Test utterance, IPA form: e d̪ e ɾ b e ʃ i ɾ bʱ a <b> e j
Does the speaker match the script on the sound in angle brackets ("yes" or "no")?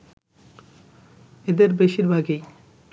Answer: no